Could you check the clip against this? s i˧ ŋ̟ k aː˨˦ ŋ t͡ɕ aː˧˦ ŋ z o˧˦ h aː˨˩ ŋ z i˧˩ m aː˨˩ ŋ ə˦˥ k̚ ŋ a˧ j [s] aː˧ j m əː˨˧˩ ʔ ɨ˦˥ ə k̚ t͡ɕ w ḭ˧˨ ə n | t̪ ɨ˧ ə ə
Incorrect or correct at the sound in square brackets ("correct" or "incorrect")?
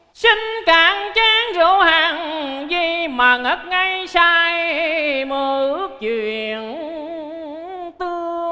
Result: correct